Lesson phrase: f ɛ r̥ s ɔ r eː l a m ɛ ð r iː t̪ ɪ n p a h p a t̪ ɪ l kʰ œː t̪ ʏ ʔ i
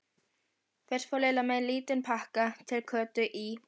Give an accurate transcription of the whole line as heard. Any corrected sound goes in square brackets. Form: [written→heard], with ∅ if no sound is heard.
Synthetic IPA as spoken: f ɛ r̥ [s→f] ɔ [r→l] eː l a m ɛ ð [r→l] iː t̪ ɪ n [p→pʰ] a h [p→k] a [t̪→t̪ʰ] ɪ l kʰ œː t̪ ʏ ʔ i